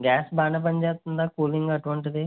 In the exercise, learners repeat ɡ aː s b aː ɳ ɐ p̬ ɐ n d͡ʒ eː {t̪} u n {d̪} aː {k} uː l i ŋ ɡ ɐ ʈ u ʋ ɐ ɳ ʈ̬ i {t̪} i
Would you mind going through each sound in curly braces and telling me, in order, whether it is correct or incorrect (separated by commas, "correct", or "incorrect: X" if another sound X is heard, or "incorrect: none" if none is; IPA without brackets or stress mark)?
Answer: correct, correct, correct, incorrect: d̪